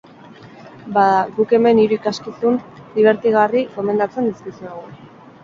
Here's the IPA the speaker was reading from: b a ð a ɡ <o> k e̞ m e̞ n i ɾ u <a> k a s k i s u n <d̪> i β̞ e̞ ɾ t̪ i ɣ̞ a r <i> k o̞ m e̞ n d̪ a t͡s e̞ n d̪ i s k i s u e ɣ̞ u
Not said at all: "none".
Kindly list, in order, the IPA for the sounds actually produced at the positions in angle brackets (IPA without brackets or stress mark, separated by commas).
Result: u, i, d̪, i